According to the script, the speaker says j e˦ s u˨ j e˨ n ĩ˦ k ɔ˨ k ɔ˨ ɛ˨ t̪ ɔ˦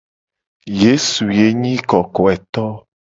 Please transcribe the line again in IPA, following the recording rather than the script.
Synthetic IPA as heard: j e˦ s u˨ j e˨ ɲ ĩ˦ k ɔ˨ k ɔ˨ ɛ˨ t̪ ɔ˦